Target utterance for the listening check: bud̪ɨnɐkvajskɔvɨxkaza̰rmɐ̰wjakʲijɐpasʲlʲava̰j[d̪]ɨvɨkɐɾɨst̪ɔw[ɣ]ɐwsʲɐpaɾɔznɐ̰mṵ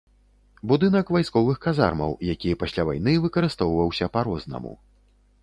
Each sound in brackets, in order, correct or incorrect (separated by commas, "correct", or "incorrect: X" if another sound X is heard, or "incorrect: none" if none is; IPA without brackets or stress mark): incorrect: n̪, incorrect: v